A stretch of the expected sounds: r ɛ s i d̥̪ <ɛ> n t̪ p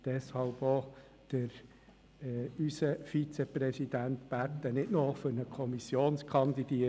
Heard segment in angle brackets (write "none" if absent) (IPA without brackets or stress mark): æ